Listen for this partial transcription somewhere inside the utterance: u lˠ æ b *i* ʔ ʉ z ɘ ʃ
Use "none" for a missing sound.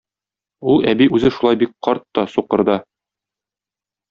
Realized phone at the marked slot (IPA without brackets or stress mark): i